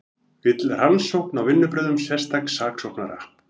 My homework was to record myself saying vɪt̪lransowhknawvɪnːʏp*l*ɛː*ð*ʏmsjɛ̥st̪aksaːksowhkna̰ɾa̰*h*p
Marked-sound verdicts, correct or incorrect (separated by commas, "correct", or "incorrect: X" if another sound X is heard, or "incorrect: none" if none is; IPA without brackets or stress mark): incorrect: ɾ, correct, correct